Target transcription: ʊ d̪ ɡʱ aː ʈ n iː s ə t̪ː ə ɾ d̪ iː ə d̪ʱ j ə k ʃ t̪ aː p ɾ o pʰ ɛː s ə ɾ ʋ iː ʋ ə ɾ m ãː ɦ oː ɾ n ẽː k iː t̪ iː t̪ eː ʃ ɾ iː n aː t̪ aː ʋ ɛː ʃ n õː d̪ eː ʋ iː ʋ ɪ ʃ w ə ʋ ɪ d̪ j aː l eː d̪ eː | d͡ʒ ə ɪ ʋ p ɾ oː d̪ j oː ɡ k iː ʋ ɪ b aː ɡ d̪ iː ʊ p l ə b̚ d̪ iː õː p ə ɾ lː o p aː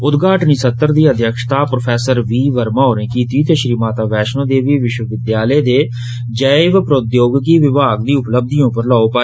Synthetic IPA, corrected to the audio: ʊ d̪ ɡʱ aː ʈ n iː s ə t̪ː ə ɾ d̪ iː ə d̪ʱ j ə k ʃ t̪ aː p ɾ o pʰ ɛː s ə ɾ ʋ iː ʋ ə ɾ m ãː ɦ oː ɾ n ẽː k iː t̪ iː t̪ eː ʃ ɾ iː m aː t̪ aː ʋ ɛː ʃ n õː d̪ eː ʋ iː ʋ ɪ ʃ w ə ʋ ɪ d̪ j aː l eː d̪ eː | d͡ʒ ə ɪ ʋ p ɾ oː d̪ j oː ɡ k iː ʋ ɪ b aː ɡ d̪ iː ʊ p l ə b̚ d̪ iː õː p ə ɾ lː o p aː

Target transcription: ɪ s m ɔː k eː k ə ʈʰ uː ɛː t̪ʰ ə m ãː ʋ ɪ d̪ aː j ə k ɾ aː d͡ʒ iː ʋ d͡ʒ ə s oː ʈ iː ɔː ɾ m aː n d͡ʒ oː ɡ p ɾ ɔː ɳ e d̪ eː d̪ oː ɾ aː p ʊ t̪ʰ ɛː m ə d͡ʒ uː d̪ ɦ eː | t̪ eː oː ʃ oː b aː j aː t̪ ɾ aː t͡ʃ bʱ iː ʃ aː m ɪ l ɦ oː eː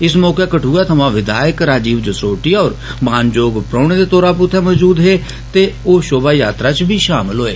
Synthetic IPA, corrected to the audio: ɪ s m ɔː k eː k ə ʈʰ uː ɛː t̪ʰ ə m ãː ʋ ɪ d̪ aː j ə k ɾ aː d͡ʒ iː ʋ d͡ʒ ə s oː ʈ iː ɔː ɾ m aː n d͡ʒ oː ɡ p ɾ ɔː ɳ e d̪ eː t̪ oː ɾ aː p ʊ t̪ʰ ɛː m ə d͡ʒ uː d̪ ɦ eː | t̪ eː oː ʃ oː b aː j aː t̪ ɾ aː t͡ʃ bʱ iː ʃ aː m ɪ l ɦ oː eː

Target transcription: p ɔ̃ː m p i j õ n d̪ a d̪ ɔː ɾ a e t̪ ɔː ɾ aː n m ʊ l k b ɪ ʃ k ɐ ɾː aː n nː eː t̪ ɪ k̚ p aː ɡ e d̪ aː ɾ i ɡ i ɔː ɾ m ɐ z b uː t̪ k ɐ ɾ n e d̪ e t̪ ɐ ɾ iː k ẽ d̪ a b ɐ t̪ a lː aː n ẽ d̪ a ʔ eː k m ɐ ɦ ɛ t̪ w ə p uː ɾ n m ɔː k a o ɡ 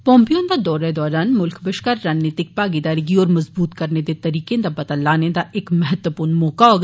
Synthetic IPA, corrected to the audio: p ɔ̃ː m p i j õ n d̪ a d̪ ɔː ɾ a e d̪ ɔː ɾ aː n m ʊ l k b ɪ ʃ k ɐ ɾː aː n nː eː t̪ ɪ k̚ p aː ɡ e d̪ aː ɾ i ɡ i ɔː ɾ m ɐ z b uː t̪ k ɐ ɾ n e d̪ e t̪ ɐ ɾ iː k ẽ d̪ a b ɐ t̪ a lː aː n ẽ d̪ a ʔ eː k m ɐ ɦ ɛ t̪ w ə p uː ɾ n m ɔː k a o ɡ

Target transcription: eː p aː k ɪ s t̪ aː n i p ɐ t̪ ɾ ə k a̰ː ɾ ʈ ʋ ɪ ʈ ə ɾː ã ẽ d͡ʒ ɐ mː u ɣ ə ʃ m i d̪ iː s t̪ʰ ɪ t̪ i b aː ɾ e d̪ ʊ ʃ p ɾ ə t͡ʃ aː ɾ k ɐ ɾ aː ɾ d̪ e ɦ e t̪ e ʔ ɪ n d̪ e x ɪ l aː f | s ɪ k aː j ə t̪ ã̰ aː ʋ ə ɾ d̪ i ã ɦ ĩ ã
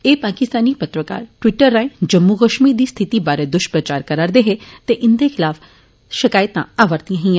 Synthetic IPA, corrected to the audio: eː p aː k ɪ s t̪ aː n i p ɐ t̪ ɾ ə k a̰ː ɾ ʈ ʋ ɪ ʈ ə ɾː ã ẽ d͡ʒ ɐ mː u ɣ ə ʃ m i d̪ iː s t̪ʰ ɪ t̪ i b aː ɾ e d̪ ʊ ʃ p ɾ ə t͡ʃ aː ɾ k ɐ ɾ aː ɾ d̪ e ɦ e t̪ e ʔ ɪ n d̪ e x ɪ l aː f | ʃ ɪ k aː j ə t̪ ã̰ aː ʋ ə ɾ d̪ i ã ɦ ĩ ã

